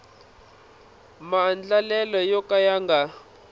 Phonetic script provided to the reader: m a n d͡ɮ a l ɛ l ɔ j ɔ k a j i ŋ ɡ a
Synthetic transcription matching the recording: m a n d͡ɮ a l ɛ l ɔ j ɔ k a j a ŋ ɡ a